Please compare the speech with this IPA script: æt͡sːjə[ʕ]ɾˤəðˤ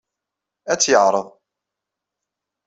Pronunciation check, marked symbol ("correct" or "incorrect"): correct